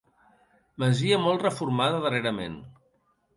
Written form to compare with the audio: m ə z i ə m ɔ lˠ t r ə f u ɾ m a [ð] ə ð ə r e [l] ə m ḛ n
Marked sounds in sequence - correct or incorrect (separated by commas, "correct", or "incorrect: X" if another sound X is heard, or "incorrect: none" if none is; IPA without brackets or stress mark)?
correct, incorrect: ɾ